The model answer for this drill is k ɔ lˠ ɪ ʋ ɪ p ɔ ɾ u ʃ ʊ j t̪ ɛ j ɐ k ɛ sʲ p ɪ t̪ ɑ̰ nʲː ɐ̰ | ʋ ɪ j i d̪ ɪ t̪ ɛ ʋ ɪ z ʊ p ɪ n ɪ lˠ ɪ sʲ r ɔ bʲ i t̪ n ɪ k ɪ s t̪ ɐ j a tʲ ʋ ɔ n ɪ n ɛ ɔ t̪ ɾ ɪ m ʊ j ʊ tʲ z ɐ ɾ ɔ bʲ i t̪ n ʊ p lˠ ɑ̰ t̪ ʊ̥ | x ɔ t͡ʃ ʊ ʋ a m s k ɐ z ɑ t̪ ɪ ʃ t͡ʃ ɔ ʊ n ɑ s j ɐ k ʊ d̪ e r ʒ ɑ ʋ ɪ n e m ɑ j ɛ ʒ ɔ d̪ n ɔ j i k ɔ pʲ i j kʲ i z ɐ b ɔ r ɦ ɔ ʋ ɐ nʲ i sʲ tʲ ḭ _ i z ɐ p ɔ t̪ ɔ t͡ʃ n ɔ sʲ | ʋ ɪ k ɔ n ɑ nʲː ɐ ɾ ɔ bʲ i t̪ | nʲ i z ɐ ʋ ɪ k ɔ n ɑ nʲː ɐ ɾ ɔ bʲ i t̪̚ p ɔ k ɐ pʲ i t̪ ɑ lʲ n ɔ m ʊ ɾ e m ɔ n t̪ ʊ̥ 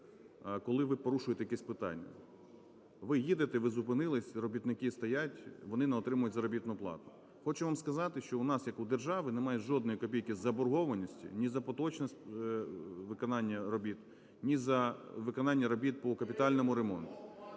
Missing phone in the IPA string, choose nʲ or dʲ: nʲ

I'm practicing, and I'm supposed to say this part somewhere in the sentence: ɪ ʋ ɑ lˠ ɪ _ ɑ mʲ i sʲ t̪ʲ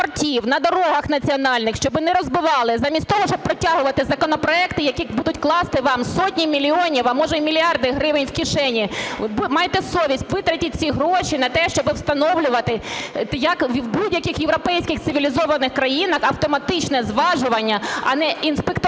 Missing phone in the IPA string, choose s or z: z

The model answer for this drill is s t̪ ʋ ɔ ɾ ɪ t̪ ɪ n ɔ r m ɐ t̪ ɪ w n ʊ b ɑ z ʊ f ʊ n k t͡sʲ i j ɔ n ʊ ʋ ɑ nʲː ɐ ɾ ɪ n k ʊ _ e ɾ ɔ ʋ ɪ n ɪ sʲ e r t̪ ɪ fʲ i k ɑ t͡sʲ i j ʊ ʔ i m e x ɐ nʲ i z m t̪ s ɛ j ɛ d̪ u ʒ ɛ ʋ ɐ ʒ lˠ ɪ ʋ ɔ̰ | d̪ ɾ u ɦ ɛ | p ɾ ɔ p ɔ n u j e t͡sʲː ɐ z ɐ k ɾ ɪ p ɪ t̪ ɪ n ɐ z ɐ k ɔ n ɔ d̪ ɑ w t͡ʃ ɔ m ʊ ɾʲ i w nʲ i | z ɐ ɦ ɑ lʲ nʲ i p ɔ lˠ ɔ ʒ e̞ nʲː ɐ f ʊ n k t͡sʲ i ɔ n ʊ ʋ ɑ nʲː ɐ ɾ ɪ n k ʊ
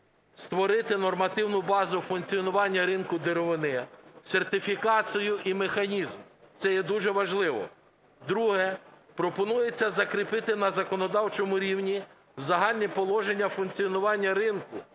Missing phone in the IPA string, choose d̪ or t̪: d̪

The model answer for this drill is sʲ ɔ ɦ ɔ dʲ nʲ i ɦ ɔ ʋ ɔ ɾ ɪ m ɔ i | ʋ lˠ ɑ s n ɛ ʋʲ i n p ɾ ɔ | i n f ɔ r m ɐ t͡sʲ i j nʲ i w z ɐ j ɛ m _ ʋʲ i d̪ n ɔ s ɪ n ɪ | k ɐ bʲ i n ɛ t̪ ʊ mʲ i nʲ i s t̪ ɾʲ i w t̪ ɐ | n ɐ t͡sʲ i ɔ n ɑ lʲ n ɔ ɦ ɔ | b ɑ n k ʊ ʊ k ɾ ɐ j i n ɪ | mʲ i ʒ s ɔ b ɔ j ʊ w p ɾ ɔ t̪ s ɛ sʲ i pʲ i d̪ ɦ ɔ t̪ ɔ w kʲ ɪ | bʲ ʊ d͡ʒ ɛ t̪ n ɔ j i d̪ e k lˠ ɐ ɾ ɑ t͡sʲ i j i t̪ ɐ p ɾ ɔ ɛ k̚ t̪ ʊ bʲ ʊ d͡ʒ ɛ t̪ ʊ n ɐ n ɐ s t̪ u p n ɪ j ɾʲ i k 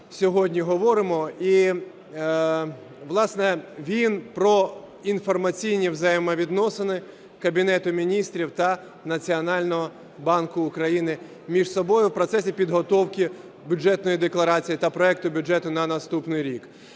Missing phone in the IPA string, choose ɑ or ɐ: ɐ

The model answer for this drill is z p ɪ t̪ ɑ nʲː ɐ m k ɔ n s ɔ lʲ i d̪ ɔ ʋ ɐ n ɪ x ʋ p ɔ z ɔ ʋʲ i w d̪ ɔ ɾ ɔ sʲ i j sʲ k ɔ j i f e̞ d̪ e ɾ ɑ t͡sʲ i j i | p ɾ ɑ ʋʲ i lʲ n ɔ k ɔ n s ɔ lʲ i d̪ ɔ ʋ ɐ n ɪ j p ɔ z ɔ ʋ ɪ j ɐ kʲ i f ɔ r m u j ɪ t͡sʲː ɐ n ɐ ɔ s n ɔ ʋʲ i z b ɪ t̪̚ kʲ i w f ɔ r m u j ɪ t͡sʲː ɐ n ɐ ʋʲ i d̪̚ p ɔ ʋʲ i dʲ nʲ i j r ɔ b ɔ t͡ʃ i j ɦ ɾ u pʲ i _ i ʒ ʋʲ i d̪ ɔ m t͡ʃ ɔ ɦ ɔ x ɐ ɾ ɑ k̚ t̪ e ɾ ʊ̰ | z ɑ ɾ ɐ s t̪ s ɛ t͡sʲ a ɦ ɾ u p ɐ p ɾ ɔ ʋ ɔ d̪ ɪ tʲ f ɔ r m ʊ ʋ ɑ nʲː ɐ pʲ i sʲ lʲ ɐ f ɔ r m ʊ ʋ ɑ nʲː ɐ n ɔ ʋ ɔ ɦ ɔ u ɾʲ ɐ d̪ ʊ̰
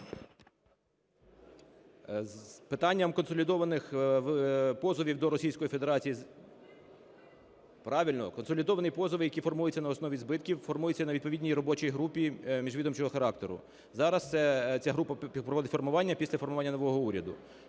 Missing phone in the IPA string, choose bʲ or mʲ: mʲ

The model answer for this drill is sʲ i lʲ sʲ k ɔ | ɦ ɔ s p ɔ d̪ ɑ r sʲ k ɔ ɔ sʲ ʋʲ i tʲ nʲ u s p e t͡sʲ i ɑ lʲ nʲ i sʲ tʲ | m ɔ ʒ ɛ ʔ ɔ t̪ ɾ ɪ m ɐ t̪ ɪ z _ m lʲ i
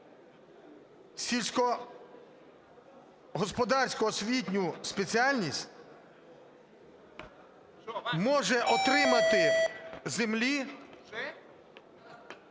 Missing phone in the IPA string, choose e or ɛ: e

